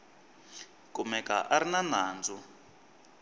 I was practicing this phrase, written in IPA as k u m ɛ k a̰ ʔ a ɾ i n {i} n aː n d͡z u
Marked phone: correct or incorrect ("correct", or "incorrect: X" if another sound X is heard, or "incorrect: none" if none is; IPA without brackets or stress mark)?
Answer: incorrect: a